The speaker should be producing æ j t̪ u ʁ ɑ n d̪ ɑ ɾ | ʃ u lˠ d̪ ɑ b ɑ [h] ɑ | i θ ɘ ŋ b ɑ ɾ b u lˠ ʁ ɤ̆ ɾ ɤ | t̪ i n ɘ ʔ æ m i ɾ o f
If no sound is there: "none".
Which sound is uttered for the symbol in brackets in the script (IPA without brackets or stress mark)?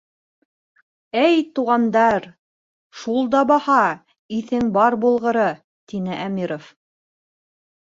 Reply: h